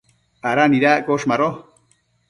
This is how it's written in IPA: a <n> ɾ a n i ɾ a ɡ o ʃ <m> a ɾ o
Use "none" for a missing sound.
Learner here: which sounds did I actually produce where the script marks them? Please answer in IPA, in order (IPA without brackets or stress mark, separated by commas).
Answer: none, m